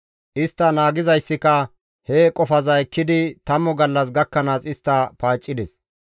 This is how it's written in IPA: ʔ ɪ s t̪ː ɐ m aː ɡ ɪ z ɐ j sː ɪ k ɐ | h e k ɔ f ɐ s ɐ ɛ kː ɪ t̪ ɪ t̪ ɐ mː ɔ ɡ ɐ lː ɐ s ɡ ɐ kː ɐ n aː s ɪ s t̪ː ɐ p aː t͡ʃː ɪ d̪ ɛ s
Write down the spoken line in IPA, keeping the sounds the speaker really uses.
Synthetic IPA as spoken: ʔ ɪ s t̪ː ɐ n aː ɡ ɪ z ɐ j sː ɪ k ɐ | h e kʼ ɔ f ɐ z ɐ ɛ kː ɪ d̪ ɪ t̪ ɐ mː ɔ ɡ ɐ lː ɐ s ɡ ɐ kː ɐ n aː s ɪ s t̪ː ɐ p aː t͡ʃʼː ɪ d̪ ɛ s